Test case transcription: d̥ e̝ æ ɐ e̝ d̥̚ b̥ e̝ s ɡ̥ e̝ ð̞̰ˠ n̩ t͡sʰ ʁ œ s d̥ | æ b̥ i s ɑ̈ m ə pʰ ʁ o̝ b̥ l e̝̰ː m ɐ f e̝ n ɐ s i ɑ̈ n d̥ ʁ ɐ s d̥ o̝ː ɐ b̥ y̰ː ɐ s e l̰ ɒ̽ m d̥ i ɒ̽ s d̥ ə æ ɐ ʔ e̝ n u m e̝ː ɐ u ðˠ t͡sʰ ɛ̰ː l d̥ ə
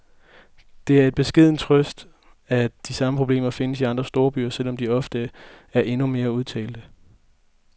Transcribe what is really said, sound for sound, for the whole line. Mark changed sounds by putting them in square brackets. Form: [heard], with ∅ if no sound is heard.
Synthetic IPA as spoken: d̥ e̝ æ ɐ e̝ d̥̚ b̥ e̝ s ɡ̥ e̝ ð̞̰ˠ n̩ t͡sʰ ʁ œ s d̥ | æ [d̥] i s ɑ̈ m ə pʰ ʁ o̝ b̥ l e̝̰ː m ɐ f e̝ n [ə] s i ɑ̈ n d̥ ʁ ɐ s d̥ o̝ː ɐ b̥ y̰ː ɐ s e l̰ ɒ̽ m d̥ i ɒ̽ [f] d̥ ə æ ɐ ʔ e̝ n u m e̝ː ɐ u ðˠ t͡sʰ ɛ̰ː l d̥ ə